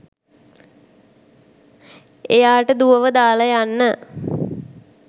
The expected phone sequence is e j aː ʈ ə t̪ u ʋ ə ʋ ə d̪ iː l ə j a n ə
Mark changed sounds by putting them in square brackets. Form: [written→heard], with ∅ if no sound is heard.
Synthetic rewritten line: e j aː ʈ ə [t̪→d̪] u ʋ ə ʋ ə d̪ [iː→aː] l ə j a [n→nː] ə